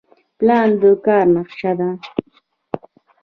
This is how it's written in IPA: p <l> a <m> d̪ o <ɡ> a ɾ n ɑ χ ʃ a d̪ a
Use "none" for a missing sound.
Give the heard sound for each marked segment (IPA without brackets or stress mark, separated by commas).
l, n, k